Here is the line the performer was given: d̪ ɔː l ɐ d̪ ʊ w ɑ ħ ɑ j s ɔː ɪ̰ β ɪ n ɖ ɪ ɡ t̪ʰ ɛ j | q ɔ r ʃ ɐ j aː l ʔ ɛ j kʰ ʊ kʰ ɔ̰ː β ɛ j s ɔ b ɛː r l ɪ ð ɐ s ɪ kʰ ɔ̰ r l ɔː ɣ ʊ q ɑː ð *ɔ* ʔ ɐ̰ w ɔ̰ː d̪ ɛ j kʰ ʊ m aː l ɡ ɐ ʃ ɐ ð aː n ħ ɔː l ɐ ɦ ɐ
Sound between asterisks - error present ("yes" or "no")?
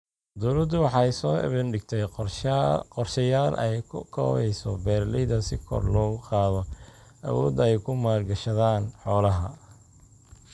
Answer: no